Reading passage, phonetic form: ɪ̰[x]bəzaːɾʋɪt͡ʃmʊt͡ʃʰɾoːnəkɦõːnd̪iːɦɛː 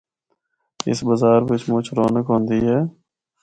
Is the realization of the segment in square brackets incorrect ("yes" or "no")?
yes